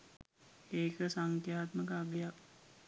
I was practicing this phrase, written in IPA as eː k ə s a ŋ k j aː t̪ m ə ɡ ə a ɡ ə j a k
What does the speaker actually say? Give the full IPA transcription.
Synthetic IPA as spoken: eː k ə s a ŋ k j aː t̪ m ə k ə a ɡ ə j a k